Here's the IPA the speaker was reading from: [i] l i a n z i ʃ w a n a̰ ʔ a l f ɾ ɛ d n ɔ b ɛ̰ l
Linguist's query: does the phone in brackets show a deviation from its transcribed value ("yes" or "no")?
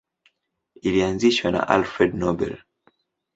no